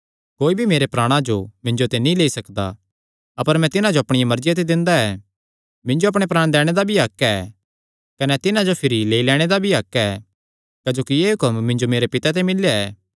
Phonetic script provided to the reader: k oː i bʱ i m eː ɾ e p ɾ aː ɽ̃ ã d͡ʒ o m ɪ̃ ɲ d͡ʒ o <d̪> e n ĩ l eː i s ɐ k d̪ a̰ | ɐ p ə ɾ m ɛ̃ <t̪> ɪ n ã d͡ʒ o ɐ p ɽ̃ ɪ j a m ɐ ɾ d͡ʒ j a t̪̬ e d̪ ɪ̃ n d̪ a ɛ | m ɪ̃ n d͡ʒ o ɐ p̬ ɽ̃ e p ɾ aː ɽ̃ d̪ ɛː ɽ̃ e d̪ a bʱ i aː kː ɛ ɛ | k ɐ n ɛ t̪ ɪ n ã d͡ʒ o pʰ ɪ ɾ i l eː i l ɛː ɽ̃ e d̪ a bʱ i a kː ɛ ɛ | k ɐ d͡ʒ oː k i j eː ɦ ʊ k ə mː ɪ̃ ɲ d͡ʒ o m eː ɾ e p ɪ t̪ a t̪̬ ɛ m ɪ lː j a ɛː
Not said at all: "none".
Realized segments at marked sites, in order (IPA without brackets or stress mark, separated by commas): t̪, t̪